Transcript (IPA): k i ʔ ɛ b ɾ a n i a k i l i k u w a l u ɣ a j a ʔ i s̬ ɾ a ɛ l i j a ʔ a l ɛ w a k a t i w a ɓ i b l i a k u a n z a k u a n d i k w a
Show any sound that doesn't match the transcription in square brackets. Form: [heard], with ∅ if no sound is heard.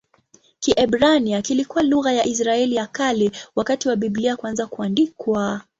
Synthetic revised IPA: k i ʔ ɛ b ɾ a n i a k i l i k u w a l u ɣ a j a ʔ i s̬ ɾ a ɛ l i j a [k] a l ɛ w a k a t i w a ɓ i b l i a k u a n z a k u a n d i k w a